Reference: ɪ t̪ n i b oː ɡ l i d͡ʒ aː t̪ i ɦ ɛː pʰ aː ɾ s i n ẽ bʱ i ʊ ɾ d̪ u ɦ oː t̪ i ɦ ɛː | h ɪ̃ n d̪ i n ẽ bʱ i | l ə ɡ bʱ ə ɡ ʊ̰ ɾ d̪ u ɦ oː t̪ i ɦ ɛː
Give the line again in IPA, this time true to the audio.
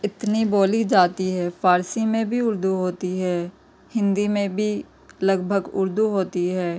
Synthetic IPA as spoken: ɪ t̪ n i b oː l i d͡ʒ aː t̪ i ɦ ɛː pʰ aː ɾ s i m ẽ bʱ i ʊ ɾ d̪ u ɦ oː t̪ i ɦ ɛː | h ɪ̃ n d̪ i m ẽ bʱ i | l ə ɡ bʱ ə ɡ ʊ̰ ɾ d̪ u ɦ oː t̪ i ɦ ɛː